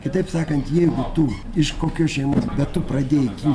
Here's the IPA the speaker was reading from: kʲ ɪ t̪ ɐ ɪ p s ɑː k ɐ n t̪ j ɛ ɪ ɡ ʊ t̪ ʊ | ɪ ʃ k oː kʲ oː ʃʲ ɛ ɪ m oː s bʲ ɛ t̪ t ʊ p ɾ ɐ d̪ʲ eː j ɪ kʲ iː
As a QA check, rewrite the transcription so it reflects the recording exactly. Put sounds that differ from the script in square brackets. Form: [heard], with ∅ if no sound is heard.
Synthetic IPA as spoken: kʲ ɪ t̪ ɐ ɪ p s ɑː k ɐ n t̪ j ɛ ɪ ɡ ʊ t̪ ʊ | ɪ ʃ k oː kʲ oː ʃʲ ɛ ɪ m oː s bʲ ɛ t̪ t ʊ p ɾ ɐ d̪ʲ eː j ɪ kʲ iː